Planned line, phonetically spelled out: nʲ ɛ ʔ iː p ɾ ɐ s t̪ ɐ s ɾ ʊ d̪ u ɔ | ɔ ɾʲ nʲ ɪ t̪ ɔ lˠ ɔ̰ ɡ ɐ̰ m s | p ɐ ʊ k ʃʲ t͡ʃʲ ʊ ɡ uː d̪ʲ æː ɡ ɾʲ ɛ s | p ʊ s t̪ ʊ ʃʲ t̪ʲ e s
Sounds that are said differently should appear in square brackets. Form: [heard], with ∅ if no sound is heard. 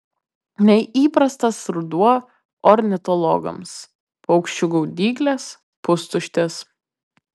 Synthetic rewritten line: nʲ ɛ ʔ iː p ɾ ɐ s t̪ ɐ s ɾ ʊ d̪ u ɔ | ɔ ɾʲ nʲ ɪ t̪ ɔ lˠ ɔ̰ ɡ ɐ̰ m s | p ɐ ʊ k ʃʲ t͡ʃʲ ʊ ɡ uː d̪ʲ [iː] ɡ [lʲ] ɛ s | p ʊ s t̪ ʊ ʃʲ t̪ʲ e s